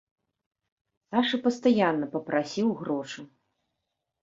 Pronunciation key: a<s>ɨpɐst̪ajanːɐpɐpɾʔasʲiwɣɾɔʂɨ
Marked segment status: incorrect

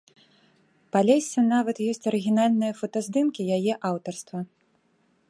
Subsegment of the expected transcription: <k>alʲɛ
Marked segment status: incorrect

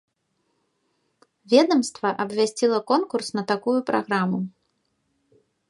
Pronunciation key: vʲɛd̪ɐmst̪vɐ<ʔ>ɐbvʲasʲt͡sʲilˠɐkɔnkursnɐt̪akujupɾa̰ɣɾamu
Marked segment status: correct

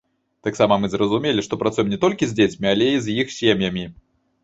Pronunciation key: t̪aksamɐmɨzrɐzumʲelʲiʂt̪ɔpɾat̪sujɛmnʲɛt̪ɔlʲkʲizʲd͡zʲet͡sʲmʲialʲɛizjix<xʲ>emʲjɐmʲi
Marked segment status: incorrect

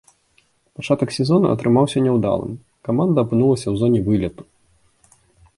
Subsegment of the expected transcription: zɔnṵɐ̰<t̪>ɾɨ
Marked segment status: correct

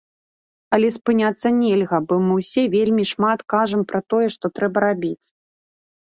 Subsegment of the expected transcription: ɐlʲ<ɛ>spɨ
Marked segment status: correct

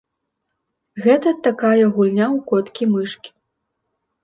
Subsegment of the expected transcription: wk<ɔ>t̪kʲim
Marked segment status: correct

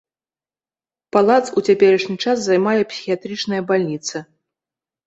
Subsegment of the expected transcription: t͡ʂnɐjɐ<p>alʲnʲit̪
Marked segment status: incorrect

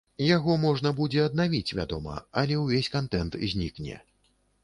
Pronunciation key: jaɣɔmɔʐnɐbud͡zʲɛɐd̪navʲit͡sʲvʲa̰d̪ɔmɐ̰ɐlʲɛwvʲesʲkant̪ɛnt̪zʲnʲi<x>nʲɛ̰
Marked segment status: incorrect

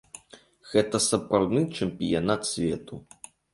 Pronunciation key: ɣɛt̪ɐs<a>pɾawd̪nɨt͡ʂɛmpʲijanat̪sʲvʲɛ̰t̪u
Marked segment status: incorrect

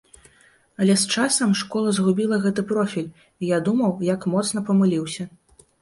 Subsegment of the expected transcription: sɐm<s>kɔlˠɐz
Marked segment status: incorrect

